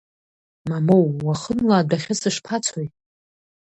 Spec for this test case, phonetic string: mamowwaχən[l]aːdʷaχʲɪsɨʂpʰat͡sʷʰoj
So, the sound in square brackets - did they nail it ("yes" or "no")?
yes